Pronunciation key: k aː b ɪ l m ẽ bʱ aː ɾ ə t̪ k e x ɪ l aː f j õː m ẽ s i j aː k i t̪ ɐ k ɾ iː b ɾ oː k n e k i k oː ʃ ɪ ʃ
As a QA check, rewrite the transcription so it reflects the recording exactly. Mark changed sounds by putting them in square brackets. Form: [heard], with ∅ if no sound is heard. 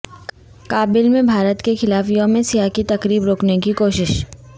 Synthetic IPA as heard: k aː b ɪ l m ẽ bʱ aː ɾ ə t̪ k e x ɪ l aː f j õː m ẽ s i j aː k i t̪ ɐ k ɾ iː b ɾ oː k n e k i k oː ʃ ɪ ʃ